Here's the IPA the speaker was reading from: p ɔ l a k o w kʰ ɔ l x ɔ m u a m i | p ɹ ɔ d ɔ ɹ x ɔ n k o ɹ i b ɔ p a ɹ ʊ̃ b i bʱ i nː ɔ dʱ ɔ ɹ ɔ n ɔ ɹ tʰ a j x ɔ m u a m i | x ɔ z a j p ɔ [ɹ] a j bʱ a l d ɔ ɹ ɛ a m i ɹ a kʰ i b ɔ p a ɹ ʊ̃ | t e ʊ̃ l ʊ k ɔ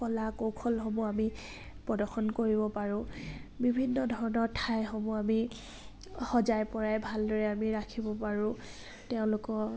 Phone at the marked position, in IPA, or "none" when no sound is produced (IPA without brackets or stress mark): ɹ